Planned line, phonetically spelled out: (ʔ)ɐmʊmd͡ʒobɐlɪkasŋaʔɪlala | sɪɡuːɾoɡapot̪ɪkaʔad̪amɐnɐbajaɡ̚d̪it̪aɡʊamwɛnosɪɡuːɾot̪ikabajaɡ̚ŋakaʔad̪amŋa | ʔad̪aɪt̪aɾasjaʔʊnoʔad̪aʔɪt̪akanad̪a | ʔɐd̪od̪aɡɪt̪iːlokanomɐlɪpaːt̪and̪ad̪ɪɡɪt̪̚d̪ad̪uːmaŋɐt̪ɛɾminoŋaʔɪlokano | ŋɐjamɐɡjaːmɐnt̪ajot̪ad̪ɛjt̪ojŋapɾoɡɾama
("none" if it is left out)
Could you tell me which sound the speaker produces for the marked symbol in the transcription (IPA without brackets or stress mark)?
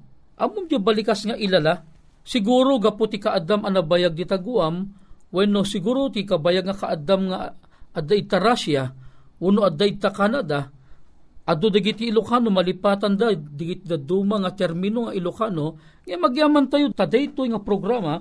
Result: ʔ